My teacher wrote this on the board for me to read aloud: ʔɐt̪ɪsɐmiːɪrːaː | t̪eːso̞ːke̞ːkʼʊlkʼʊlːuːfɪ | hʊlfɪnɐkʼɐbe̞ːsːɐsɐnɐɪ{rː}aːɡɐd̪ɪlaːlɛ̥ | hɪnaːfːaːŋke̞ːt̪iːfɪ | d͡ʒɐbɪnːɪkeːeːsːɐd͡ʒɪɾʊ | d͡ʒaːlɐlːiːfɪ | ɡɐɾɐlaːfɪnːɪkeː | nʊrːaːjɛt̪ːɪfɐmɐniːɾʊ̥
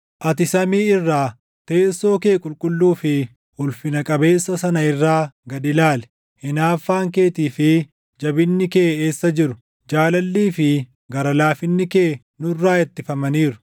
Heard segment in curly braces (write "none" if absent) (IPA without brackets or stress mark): rː